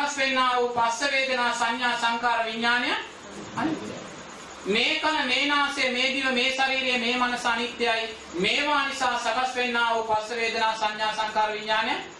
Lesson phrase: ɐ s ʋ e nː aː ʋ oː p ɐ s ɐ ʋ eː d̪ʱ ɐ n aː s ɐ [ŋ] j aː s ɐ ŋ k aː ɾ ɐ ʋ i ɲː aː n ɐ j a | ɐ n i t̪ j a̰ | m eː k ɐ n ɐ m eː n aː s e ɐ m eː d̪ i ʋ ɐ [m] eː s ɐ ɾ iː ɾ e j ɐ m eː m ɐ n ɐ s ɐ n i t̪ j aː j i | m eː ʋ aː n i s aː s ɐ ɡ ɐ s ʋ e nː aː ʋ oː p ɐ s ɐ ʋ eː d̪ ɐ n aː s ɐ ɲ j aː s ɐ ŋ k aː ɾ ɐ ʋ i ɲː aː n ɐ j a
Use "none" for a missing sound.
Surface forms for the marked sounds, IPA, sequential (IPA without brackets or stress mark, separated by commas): ɲ, m